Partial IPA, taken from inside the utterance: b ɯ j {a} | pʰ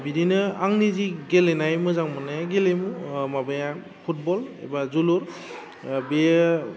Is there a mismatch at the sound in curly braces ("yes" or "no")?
no